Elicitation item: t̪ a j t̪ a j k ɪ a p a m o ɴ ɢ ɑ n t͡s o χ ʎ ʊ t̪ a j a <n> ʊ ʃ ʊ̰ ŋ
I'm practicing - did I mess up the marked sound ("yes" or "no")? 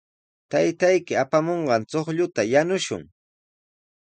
no